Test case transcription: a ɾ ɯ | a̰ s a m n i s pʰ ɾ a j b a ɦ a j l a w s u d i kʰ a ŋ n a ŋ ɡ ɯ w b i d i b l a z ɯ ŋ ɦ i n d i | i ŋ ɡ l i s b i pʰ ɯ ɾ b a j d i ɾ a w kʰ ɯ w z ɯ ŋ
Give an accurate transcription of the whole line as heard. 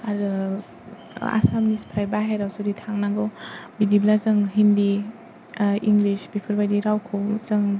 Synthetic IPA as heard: a ɾ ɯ | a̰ s a m n i s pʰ ɾ a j b a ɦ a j ɾ a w s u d i tʰ a ŋ n a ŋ ɡ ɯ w b i d i b l a z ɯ ŋ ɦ i n d i | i ŋ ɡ l i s b i pʰ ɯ ɾ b a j d i ɾ a w kʰ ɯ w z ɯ ŋ